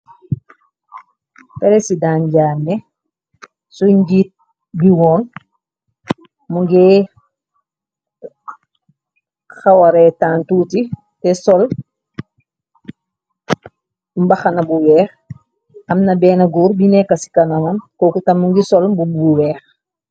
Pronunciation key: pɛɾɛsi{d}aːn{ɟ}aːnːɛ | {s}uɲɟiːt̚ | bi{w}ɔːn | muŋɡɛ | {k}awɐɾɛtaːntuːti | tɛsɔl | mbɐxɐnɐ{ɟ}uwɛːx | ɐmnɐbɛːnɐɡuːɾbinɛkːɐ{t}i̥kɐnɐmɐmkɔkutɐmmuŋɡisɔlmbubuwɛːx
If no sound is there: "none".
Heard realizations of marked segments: d, ɟ, s, w, x, b, s

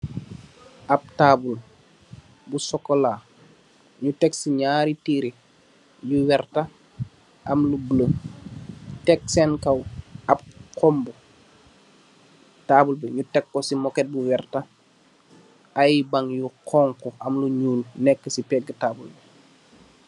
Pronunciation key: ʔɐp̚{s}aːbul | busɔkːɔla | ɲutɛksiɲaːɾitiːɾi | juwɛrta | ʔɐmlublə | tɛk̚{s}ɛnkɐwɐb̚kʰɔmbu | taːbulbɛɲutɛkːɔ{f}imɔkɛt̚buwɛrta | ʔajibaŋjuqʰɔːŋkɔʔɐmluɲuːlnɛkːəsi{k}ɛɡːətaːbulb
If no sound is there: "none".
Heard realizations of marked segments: t, s, s, p

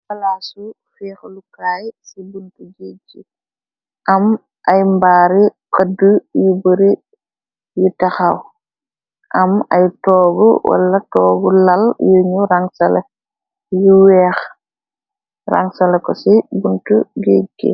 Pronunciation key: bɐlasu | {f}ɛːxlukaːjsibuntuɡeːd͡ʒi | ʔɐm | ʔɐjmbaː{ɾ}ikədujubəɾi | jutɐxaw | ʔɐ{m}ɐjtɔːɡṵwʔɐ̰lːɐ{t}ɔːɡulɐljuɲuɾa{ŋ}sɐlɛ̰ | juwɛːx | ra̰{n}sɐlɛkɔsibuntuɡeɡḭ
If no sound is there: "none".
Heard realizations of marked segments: f, ɾ, m, t, ŋ, ŋ

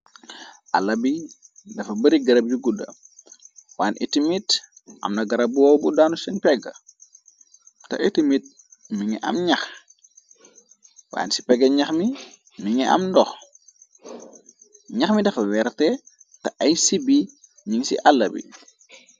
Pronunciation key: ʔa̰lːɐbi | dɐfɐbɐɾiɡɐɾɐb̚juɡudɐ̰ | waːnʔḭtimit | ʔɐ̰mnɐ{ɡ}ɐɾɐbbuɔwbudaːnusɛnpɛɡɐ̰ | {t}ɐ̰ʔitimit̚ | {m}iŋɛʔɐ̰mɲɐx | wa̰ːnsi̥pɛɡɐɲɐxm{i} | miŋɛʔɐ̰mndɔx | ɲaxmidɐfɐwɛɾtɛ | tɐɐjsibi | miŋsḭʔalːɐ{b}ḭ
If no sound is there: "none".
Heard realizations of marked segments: ɡ, t, m, i, b

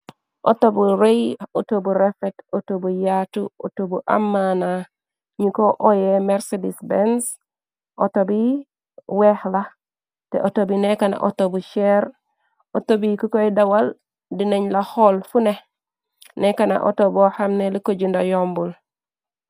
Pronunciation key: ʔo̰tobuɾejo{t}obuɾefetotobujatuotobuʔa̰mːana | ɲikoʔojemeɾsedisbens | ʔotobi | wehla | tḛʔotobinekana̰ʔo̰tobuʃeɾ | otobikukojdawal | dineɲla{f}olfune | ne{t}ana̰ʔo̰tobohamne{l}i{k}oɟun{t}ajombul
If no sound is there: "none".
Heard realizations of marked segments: t, h, k, l, k, d

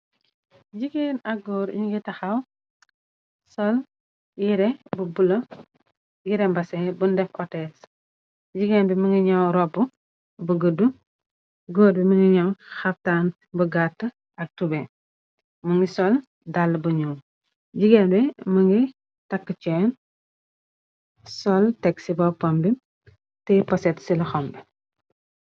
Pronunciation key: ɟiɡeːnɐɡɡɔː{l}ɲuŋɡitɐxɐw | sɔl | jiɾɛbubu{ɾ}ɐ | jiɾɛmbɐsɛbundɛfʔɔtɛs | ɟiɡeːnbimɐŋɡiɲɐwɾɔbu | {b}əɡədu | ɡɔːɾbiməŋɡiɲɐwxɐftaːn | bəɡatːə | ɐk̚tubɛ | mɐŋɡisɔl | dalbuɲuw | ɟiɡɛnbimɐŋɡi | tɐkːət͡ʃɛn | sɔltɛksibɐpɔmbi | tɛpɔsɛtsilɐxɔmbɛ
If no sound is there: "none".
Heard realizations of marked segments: ɾ, l, b

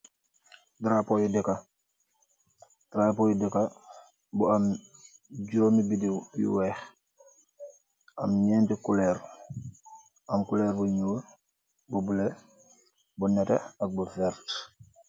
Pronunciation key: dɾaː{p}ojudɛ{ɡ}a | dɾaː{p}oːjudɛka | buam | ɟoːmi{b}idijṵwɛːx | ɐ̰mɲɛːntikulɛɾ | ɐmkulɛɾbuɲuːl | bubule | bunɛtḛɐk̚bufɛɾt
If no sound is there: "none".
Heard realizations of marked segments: p, k, p, b

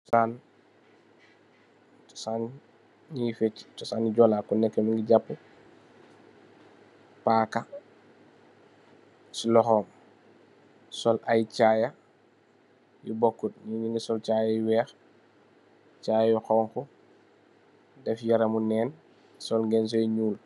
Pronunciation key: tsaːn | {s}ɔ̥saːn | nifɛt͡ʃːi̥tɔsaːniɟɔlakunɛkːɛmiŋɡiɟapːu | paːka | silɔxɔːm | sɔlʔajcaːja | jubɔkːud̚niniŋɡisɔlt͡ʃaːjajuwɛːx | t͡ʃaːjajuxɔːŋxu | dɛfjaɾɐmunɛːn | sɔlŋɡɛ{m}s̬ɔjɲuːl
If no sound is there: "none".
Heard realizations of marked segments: t, n

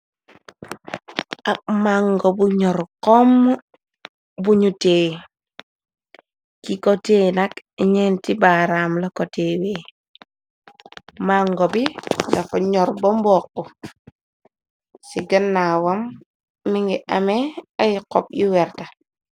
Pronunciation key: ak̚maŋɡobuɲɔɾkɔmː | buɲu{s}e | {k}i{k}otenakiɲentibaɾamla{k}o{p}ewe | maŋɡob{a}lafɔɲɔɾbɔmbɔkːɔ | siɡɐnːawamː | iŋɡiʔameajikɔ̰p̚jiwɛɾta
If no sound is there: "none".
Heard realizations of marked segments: t, k, k, k, t, i

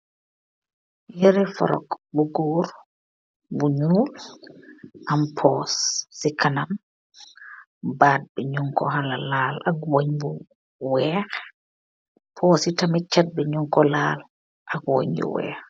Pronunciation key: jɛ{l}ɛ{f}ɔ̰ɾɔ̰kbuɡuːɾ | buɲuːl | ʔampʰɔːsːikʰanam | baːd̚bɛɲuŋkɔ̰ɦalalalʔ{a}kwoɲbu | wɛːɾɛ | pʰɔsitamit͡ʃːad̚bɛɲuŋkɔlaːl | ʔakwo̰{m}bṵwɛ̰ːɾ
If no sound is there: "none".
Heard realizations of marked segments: ɾ, f, a, ɲ

